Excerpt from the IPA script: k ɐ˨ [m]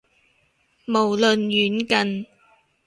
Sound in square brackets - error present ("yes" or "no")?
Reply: yes